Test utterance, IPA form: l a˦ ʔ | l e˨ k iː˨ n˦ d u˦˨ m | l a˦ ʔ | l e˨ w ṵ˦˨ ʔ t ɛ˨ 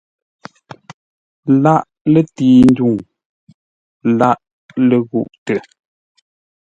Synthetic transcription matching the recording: l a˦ ʔ | l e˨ t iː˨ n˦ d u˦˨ ŋ | l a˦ ʔ | l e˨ ɣ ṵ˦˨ ʔ t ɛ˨